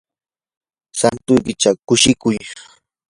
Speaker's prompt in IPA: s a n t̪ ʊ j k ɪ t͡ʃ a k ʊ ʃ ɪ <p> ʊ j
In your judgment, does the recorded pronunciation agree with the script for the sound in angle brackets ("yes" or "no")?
no